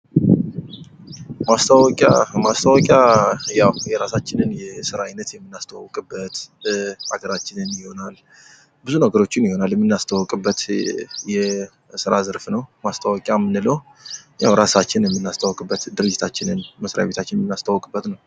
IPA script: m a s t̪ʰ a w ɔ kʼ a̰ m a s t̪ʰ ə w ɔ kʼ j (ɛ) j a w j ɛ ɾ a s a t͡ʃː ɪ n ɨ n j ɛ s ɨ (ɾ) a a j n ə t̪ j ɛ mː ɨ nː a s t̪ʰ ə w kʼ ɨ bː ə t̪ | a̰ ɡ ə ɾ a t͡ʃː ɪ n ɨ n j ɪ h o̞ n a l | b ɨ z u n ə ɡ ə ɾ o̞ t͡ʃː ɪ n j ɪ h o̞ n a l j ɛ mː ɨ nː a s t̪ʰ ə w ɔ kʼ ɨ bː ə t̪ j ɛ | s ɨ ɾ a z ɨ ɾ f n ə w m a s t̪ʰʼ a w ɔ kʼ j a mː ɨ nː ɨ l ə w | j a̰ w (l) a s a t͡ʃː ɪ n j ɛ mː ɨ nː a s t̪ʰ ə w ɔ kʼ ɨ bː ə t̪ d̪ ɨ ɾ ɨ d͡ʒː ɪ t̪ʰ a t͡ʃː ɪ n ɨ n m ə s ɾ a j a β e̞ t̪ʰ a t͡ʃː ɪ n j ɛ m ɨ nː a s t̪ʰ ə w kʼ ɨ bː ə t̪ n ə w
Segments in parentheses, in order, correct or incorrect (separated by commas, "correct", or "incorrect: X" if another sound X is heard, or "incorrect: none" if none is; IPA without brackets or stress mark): incorrect: a, correct, incorrect: ɾ